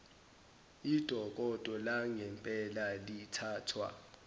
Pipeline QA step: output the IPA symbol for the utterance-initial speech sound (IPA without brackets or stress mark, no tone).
i